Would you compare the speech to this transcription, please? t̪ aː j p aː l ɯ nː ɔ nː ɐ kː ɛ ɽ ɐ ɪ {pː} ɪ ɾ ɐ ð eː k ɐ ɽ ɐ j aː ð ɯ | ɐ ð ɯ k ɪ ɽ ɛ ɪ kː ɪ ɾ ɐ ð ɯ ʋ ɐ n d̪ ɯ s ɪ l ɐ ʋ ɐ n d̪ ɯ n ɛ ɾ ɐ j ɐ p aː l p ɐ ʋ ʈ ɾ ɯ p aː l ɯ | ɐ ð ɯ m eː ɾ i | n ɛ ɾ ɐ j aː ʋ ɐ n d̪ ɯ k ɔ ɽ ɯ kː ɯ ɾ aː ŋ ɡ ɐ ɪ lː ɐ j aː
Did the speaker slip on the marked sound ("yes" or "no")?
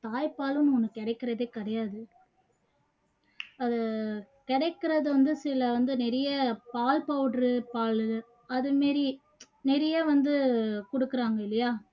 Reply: yes